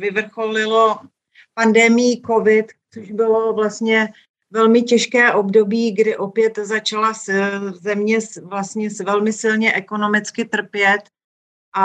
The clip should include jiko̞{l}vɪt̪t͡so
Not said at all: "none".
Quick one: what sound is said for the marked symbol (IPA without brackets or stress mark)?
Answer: none